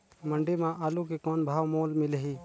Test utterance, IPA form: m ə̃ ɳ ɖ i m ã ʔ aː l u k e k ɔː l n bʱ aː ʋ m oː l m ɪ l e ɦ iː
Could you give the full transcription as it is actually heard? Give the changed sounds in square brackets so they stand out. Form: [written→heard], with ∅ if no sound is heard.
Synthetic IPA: m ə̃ ɳ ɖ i m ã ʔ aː l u k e k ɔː [l→∅] n bʱ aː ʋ m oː l m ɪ l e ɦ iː